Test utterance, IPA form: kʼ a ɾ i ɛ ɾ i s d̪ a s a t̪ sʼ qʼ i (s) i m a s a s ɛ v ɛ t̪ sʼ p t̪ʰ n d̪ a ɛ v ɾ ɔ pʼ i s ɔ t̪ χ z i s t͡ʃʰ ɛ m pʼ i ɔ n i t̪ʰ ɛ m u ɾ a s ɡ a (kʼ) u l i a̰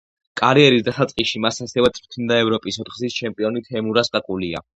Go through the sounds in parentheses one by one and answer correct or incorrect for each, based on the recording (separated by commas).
incorrect, correct